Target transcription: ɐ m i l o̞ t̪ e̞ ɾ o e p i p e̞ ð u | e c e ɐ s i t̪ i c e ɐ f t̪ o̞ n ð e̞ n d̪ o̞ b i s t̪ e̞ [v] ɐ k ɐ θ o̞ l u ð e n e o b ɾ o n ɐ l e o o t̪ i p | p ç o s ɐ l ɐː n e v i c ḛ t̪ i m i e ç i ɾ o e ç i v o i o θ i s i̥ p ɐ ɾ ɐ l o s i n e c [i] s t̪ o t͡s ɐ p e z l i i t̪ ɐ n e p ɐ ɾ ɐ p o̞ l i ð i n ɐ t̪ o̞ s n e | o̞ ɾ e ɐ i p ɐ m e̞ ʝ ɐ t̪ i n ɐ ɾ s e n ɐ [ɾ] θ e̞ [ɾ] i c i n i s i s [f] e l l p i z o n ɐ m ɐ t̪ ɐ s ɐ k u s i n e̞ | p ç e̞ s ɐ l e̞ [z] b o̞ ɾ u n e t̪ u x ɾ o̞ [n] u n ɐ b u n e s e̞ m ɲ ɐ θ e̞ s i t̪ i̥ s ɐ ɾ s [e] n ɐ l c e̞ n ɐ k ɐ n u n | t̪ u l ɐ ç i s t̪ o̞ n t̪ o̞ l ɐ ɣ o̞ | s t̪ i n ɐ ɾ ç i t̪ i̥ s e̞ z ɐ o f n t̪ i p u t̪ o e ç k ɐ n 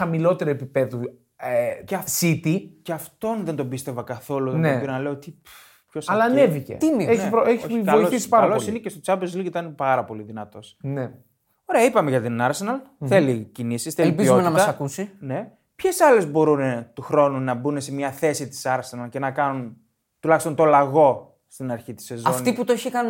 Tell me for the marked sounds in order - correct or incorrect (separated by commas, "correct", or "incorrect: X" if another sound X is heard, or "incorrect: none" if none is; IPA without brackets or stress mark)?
correct, incorrect: e, incorrect: l, incorrect: l, incorrect: θ, correct, correct, correct